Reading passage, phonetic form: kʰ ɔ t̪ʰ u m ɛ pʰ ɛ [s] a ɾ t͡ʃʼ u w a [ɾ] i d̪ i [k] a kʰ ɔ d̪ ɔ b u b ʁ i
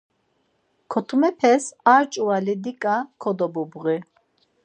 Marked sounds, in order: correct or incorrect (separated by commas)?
correct, incorrect, incorrect